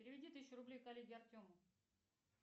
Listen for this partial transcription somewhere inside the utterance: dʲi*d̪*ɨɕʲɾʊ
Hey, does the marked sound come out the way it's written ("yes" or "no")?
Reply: no